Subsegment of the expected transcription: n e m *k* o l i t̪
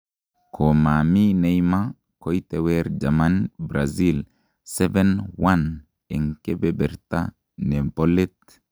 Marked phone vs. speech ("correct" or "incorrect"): incorrect